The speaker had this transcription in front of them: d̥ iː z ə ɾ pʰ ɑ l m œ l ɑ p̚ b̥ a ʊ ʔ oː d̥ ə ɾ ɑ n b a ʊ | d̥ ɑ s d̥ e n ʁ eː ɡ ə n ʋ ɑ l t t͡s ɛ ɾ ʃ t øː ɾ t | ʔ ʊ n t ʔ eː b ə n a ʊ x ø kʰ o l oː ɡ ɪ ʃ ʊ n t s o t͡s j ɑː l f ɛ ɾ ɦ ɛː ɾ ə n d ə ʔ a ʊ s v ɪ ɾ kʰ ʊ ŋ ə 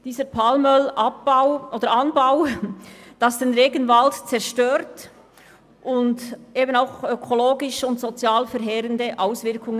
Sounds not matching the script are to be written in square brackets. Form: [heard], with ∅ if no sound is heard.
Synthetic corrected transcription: d̥ iː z ə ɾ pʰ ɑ l m œ l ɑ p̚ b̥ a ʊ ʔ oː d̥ ə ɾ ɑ n b a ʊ | d̥ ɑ s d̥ e n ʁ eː ɡ ə n [v] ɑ l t t͡s ɛ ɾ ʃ t øː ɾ t | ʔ ʊ n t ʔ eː b ə n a ʊ x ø kʰ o l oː ɡ ɪ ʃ ʊ n t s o t͡s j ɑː l f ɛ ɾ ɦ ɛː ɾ ə n d ə ʔ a ʊ s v ɪ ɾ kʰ ʊ ŋ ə